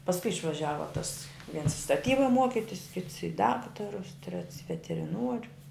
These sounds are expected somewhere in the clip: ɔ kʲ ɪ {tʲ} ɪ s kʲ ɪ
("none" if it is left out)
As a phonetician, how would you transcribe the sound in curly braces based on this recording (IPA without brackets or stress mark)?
tʲ